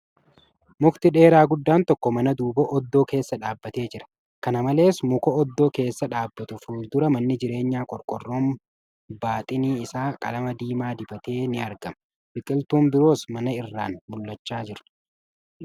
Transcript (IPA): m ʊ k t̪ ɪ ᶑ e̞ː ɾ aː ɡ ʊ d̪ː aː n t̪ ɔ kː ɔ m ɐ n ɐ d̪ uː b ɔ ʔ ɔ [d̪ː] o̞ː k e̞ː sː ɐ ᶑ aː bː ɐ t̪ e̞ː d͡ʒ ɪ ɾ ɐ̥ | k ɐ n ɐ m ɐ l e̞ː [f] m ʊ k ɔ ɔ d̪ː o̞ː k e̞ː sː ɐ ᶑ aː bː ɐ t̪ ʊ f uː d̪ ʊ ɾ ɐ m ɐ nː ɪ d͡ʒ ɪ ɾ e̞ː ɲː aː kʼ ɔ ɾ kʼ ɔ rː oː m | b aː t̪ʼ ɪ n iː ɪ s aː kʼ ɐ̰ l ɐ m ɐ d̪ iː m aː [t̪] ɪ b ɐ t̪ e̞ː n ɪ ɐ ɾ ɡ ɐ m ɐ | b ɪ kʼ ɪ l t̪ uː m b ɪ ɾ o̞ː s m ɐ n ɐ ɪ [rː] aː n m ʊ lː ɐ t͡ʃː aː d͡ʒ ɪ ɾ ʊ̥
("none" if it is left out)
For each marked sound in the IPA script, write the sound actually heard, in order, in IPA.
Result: d̪ː, s, d̪, rː

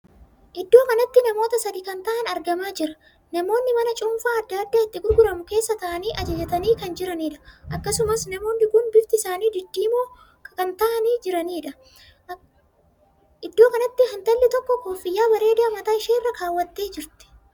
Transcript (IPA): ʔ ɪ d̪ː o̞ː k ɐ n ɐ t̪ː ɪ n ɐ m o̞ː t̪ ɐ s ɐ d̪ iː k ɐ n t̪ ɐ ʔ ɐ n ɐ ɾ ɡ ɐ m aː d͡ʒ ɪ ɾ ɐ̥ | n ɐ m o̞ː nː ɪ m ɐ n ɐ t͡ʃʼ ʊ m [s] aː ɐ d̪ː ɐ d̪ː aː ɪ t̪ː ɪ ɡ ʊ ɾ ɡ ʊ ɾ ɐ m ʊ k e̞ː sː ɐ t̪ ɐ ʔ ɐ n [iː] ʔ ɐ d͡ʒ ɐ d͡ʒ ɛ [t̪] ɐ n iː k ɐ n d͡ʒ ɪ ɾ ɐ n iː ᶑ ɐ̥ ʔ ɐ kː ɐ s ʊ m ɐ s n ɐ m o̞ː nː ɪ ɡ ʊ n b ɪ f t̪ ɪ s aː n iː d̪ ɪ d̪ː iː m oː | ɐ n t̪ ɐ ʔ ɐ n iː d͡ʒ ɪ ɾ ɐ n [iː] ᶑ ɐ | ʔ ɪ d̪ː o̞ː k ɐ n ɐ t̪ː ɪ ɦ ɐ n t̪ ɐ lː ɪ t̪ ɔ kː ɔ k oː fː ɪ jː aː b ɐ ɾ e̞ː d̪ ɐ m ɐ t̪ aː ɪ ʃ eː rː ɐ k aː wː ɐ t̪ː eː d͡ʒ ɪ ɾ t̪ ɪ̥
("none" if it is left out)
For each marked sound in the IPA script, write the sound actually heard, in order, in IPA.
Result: f, iː, t̪, iː

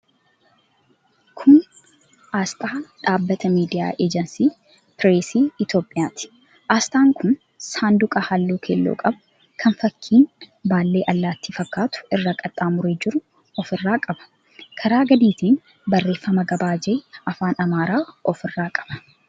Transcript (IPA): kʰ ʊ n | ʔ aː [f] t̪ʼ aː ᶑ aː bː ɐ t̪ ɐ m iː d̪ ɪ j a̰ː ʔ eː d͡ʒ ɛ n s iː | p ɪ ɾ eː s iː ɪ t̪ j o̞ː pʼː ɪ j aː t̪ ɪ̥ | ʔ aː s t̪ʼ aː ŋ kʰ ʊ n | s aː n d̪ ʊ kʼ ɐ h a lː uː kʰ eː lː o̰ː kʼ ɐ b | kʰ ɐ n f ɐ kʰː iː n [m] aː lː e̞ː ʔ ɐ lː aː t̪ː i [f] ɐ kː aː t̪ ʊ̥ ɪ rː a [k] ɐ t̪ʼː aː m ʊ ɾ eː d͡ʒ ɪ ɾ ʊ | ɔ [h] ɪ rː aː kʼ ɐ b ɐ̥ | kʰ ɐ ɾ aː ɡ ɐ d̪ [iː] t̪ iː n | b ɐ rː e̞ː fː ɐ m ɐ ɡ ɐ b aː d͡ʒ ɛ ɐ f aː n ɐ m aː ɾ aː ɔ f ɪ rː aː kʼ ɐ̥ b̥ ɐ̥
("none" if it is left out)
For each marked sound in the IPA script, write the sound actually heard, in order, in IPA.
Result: s, b, f, kʼ, f, iː

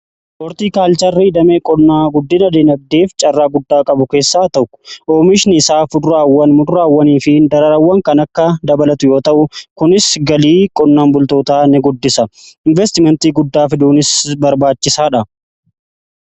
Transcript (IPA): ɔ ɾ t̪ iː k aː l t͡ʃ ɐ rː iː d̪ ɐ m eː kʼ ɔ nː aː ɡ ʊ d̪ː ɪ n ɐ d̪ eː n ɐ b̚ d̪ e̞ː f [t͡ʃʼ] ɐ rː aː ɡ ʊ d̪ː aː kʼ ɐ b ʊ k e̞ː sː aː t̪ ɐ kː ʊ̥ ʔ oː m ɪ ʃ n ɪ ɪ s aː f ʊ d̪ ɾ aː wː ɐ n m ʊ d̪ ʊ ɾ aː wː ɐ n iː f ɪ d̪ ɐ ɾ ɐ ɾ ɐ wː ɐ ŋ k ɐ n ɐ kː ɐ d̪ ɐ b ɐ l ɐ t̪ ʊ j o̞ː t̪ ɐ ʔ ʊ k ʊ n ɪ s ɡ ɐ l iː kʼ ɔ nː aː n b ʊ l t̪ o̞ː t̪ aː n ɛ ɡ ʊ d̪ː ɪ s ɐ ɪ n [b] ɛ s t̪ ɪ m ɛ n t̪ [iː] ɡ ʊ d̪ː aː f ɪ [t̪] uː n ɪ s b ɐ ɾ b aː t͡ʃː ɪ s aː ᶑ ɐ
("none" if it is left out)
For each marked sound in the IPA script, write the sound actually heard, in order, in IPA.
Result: t͡ʃʼ, v, iː, d̪

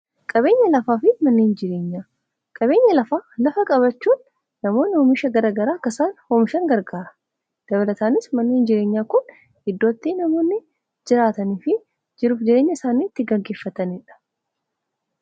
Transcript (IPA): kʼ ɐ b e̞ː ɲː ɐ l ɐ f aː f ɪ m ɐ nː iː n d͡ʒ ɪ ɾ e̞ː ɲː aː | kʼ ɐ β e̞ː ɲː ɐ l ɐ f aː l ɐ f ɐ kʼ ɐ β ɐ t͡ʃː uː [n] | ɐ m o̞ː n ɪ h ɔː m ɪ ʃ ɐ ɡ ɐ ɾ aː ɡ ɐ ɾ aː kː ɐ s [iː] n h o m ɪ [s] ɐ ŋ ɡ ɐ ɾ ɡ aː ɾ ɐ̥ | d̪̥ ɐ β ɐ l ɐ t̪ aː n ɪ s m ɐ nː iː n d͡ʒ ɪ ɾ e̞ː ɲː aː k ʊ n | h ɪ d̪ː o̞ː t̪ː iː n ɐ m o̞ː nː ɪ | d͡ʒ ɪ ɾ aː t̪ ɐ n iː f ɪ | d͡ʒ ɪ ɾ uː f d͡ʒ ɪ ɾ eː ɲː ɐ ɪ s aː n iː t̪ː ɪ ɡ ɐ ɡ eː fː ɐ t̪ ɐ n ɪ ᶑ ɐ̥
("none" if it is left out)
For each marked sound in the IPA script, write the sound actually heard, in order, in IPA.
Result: nː, aː, ʃ

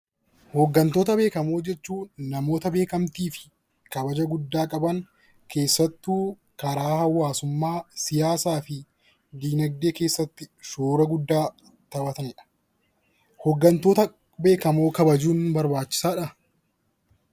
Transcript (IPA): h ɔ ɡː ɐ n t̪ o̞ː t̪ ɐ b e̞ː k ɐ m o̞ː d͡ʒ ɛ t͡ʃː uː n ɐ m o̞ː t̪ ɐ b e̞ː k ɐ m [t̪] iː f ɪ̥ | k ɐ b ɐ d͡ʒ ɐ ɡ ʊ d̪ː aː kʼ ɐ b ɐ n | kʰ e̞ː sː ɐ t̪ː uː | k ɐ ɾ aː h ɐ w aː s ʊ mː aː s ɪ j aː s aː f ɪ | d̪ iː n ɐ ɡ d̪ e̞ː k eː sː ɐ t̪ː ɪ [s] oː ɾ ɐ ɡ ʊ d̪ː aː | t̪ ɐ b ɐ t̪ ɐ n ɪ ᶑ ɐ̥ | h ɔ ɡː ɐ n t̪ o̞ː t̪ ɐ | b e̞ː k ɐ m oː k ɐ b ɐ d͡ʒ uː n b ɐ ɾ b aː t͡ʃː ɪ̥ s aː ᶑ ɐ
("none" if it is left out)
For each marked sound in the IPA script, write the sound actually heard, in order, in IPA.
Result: t̪, ʃ

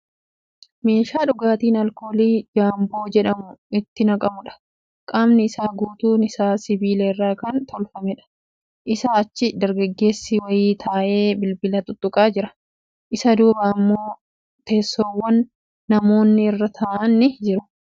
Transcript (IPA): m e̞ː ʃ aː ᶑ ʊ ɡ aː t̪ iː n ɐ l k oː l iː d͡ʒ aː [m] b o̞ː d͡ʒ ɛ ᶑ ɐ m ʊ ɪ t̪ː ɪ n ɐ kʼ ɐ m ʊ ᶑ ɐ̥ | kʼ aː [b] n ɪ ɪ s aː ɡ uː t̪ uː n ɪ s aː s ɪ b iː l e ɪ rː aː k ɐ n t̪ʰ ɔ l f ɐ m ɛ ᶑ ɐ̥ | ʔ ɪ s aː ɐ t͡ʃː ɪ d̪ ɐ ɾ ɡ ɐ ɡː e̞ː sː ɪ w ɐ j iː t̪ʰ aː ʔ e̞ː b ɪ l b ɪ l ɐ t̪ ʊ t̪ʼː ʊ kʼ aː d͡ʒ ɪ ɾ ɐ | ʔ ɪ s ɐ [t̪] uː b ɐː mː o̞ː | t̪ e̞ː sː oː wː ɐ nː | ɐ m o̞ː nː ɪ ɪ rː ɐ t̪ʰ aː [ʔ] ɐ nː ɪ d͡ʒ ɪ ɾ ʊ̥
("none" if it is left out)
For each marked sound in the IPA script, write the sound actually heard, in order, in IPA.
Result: m, m, d̪, ʔ

